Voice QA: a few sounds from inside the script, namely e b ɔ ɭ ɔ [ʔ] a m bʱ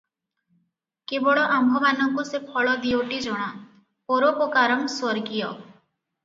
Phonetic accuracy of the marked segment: correct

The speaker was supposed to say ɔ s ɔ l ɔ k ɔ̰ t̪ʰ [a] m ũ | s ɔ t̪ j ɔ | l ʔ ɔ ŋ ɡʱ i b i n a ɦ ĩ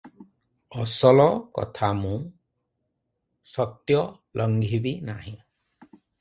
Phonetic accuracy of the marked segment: correct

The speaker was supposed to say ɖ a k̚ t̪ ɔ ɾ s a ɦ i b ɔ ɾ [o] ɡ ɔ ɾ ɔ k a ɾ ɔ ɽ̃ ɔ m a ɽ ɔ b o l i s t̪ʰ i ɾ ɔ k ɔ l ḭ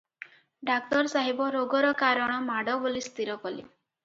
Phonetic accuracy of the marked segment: correct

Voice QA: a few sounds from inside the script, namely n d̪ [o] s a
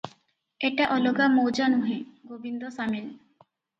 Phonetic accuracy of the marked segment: correct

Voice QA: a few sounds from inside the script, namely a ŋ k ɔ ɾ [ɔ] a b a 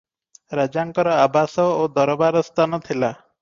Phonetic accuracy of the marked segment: correct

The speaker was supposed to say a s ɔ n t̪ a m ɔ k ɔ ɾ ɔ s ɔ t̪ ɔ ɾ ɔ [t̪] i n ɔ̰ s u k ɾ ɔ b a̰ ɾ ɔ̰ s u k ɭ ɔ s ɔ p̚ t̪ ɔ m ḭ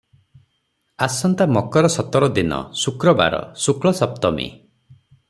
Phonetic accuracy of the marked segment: incorrect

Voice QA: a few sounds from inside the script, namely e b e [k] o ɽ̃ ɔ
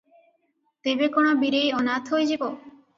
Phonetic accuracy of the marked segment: correct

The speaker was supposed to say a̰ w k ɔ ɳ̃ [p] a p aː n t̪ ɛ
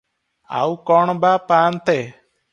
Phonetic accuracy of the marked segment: incorrect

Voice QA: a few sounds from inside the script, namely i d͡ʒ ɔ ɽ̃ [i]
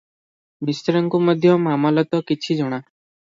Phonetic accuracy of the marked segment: incorrect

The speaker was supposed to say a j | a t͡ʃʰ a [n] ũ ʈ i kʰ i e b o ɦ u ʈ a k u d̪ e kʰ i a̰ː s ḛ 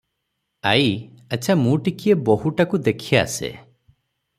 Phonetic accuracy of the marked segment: incorrect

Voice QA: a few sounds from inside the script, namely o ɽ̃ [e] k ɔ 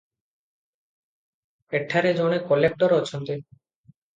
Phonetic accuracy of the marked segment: correct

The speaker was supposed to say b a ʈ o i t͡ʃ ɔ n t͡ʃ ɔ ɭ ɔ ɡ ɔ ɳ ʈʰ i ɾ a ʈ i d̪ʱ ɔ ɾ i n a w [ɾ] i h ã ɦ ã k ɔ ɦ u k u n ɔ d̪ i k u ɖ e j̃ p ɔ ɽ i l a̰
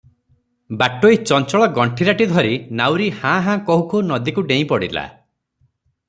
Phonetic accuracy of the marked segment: correct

